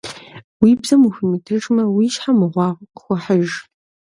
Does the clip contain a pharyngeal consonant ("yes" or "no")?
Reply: yes